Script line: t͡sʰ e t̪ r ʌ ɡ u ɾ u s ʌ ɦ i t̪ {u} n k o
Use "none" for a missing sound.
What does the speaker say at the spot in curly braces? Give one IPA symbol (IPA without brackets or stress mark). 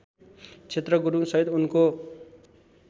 u